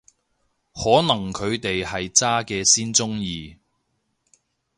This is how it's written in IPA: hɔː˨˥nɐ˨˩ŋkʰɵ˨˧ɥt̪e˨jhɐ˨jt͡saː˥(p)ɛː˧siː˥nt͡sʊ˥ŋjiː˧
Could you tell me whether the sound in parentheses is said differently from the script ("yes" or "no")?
yes